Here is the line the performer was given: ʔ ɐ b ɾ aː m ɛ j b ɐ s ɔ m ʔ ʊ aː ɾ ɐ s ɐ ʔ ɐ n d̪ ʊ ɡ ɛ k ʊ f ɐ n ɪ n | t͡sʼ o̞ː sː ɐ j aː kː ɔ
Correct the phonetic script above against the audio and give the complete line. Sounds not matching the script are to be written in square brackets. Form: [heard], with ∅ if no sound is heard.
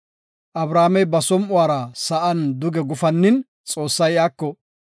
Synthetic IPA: ʔ ɐ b ɾ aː m ɛ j b ɐ s ɔ m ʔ ʊ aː ɾ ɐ s ɐ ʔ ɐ n d̪ ʊ ɡ ɛ [ɡ] ʊ f ɐ [nː] ɪ n | t͡sʼ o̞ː sː ɐ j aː kː ɔ